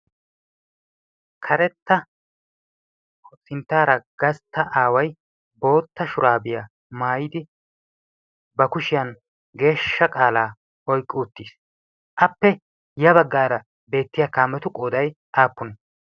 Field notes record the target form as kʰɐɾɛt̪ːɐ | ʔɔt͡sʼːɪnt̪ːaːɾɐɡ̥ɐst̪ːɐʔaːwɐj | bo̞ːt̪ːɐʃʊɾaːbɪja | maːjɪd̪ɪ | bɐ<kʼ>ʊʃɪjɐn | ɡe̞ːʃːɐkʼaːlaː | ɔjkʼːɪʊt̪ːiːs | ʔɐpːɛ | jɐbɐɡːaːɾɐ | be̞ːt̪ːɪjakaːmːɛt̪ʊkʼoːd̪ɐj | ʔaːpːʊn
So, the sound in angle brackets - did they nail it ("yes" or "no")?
no